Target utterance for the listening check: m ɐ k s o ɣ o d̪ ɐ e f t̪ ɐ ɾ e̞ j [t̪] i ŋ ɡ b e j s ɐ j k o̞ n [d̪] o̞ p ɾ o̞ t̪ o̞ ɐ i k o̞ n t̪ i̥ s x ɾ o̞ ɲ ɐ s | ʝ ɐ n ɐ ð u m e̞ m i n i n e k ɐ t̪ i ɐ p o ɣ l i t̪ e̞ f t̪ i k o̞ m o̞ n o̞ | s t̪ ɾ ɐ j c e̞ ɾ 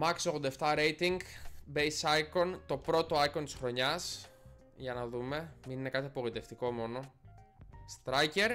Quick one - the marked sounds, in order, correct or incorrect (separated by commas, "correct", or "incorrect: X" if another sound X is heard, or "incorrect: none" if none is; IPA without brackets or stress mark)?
correct, incorrect: t̪